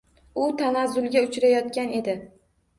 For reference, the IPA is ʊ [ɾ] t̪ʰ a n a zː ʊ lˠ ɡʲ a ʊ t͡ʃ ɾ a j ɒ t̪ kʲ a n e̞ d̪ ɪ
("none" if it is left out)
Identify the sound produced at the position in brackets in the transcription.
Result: none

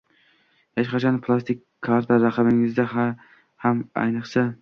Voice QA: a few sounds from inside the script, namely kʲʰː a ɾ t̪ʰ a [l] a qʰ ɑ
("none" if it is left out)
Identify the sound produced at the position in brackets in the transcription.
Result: ɾ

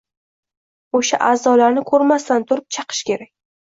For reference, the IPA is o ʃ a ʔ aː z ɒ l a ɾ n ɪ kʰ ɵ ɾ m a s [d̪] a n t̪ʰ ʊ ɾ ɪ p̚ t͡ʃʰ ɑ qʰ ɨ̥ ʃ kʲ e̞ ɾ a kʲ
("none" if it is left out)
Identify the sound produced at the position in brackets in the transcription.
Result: t̪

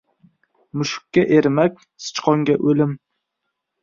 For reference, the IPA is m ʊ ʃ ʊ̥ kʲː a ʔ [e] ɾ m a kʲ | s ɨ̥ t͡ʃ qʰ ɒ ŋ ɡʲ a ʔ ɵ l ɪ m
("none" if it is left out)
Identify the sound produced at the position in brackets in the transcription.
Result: e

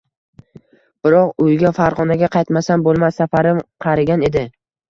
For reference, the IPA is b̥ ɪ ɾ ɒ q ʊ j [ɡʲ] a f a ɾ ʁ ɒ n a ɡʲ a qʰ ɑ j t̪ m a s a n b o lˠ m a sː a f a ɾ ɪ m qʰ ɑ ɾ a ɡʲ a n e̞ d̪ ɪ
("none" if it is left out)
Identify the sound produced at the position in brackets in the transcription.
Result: ɡʲ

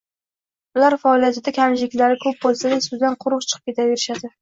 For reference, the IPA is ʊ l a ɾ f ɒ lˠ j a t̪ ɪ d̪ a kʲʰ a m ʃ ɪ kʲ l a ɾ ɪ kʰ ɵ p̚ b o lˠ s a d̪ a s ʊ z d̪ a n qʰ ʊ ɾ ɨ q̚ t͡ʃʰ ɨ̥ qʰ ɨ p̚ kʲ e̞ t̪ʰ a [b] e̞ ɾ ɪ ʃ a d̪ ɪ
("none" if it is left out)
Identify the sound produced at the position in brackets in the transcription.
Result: v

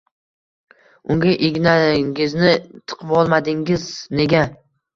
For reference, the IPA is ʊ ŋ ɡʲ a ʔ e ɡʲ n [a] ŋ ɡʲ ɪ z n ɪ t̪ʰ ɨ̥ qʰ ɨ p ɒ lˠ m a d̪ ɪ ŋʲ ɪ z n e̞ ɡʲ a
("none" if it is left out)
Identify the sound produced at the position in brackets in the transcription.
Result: a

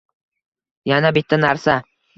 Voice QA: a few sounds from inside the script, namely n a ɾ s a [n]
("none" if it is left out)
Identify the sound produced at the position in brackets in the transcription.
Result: none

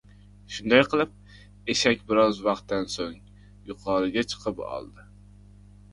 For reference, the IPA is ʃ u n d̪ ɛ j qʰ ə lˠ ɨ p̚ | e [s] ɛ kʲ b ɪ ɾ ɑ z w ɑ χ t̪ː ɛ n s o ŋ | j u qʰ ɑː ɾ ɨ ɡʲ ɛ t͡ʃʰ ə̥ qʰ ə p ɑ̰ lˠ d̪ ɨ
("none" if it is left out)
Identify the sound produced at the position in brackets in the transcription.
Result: ʃ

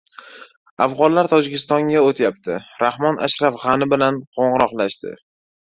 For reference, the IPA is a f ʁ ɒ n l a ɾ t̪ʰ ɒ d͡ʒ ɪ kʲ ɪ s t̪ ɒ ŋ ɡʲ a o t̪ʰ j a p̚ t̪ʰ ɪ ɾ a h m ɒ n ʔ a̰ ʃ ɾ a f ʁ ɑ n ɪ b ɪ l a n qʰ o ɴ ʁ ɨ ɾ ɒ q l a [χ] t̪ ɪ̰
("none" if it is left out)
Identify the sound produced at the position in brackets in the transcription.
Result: ʃ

